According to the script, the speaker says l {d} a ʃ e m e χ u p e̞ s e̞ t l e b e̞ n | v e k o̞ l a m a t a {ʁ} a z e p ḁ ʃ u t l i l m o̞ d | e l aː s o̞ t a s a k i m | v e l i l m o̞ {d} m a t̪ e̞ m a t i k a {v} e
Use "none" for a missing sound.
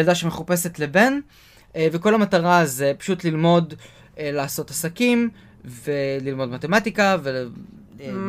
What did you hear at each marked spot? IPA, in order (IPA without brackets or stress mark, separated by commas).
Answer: d, ʁ, d, v